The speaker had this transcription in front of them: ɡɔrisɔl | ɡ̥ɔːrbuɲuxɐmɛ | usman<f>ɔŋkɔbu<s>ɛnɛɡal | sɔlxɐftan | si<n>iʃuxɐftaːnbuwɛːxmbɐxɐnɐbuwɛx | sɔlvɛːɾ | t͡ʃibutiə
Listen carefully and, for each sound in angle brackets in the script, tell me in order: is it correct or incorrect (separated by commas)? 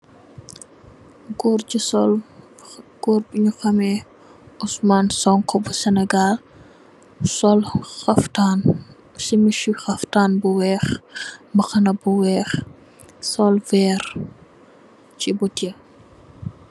incorrect, correct, incorrect